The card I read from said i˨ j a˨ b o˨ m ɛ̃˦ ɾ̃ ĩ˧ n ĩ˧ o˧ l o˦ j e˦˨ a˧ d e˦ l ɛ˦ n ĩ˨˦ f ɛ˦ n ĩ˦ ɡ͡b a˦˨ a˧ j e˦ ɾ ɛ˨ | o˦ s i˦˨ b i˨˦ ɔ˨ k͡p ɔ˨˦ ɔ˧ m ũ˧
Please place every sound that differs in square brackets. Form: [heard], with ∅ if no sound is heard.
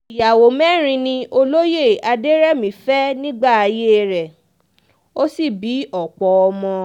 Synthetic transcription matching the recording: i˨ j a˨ [w] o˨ m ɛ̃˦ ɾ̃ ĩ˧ n ĩ˧ o˧ l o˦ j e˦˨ a˧ d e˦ [ɾ] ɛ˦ [m] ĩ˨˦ f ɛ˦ n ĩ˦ ɡ͡b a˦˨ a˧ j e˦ ɾ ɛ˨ | o˦ s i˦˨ b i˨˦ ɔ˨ k͡p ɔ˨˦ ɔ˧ m [ɔ̃˧]